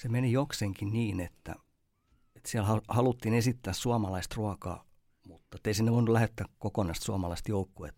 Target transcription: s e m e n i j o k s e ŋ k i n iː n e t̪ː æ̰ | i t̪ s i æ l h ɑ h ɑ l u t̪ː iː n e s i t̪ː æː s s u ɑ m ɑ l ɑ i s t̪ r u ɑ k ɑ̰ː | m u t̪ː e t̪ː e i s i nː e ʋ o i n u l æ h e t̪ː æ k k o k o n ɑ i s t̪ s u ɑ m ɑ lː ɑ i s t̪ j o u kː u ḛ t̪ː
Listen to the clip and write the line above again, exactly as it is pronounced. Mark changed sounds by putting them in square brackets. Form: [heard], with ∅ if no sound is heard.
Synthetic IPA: s e m e n i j o k s e ŋ k i n iː n e t̪ː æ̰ | [e] t̪ s i æ l h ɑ h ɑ l u t̪ː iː n e s i t̪ː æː s s u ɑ m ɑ l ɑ i s t̪ r u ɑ k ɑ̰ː | m u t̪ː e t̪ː e i s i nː e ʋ o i n u l æ h e t̪ː æ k k o k o n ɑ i s t̪ s u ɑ m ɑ [l] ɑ i s t̪ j o u kː u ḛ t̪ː